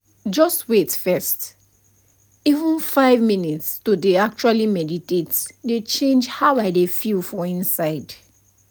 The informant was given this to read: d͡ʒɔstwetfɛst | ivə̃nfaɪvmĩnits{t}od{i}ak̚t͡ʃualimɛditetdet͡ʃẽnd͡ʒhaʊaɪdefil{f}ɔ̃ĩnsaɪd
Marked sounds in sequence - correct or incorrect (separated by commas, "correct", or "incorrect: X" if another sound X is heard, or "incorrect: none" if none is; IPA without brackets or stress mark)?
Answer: correct, incorrect: e, correct